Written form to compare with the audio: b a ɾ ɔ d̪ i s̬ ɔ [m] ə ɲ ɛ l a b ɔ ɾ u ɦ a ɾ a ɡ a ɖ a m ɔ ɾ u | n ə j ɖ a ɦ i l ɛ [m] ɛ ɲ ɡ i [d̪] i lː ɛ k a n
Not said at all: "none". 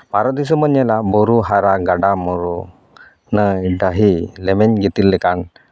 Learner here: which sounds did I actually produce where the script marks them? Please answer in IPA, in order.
m, m, t̪

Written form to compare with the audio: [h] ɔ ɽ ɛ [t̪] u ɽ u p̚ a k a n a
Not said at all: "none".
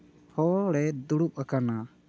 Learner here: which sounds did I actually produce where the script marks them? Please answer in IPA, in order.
h, d̪

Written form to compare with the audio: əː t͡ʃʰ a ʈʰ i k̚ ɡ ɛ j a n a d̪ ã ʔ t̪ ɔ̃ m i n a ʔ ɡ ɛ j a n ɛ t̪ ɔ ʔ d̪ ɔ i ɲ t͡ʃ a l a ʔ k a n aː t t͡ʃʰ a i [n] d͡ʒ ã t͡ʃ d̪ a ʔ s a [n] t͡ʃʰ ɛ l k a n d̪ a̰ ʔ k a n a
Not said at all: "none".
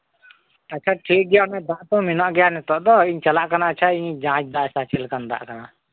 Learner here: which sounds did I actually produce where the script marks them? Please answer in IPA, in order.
ɲ, none

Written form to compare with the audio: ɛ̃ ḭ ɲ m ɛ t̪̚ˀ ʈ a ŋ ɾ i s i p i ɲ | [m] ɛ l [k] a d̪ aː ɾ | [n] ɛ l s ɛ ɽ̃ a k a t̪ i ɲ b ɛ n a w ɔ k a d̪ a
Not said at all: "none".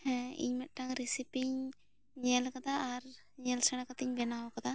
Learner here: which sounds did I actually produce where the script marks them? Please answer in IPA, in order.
ɲ, k, ɲ

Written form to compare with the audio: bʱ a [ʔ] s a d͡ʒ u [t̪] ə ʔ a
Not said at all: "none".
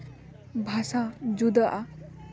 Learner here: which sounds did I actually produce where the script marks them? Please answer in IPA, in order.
none, d̪

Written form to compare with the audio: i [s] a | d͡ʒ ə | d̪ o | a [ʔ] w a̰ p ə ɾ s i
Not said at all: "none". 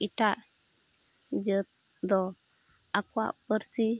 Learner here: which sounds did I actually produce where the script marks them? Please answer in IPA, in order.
t, k

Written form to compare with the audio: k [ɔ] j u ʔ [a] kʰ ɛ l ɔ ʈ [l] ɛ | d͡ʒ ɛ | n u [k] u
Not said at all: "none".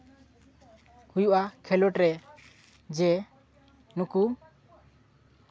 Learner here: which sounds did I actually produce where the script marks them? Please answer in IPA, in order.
u, a, ɾ, k

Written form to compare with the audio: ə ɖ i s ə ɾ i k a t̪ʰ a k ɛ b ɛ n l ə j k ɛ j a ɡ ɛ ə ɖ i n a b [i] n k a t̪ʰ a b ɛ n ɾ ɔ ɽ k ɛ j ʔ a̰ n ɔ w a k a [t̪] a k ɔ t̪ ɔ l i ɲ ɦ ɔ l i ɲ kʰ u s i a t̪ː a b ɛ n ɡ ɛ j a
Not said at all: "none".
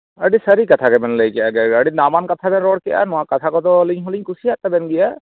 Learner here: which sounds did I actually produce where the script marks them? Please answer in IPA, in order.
a, t̪ʰ

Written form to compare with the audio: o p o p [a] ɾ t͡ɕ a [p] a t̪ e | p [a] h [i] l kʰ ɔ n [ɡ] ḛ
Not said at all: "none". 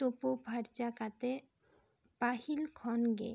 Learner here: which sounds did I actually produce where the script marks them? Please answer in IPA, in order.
a, k, a, i, ɡ

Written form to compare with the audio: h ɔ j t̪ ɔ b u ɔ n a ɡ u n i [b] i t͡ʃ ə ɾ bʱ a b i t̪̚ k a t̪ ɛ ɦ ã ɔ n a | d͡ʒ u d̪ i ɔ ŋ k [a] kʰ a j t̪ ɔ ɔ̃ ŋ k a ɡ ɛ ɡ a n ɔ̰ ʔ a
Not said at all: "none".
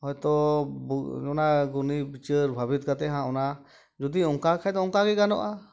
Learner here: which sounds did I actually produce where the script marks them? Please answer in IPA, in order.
b, a

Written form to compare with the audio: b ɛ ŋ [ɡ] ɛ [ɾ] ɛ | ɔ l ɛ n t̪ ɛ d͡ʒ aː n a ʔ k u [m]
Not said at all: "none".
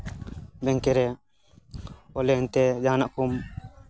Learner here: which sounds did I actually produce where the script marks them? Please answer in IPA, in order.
k, ɾ, m

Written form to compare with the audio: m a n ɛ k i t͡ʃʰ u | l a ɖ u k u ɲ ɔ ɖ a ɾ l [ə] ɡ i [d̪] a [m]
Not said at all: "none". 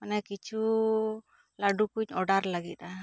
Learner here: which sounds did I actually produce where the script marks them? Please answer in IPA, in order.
a, t̪, none

